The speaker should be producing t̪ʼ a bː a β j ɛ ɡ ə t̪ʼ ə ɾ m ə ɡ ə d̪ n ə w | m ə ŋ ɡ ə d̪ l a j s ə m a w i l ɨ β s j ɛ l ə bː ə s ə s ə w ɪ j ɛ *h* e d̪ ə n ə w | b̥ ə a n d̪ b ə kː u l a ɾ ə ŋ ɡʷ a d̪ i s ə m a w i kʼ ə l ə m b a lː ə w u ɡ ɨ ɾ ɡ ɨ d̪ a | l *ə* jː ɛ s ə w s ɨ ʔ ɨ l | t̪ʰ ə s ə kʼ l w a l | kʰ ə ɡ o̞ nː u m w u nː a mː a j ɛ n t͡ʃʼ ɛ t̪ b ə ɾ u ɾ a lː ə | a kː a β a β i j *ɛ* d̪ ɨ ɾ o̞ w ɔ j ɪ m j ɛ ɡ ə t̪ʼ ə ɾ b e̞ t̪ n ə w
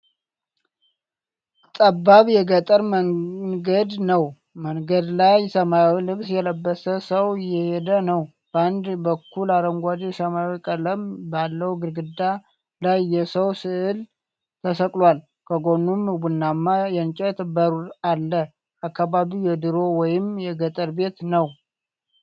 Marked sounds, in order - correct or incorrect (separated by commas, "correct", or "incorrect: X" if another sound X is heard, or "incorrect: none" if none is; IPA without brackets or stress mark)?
correct, incorrect: a, correct